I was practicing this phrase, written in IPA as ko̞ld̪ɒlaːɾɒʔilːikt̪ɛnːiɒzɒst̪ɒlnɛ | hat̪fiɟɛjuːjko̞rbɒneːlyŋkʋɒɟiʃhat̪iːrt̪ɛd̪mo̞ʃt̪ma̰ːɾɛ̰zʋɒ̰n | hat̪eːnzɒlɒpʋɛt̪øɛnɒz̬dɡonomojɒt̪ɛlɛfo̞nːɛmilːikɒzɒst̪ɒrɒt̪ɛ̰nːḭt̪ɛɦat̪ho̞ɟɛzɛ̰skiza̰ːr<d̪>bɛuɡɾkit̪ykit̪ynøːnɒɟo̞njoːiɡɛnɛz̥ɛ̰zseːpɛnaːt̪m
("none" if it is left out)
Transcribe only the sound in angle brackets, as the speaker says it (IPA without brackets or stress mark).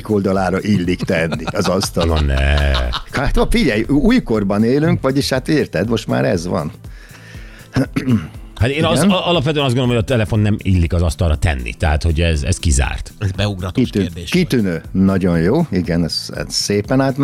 t̪